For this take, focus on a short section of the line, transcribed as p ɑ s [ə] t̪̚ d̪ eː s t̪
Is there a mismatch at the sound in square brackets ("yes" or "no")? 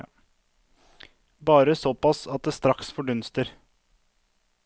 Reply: yes